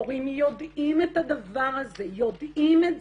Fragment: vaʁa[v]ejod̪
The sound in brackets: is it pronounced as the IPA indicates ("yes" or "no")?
no